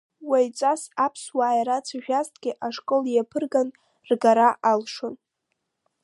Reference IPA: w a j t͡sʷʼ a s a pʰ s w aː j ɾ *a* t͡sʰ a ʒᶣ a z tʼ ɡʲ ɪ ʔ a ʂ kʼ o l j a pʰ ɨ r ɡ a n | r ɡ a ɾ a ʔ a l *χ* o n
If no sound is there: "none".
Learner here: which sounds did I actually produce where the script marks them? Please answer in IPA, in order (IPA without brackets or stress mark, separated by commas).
a, ʂ